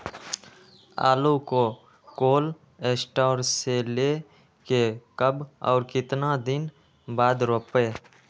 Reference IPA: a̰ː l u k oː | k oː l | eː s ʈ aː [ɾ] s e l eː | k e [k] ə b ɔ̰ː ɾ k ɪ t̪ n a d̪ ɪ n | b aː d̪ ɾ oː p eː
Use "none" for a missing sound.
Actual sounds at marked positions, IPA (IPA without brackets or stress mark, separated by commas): ɾ, k